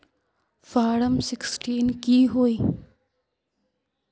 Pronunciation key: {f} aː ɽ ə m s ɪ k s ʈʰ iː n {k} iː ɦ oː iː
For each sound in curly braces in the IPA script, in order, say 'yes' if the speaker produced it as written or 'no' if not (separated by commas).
yes, yes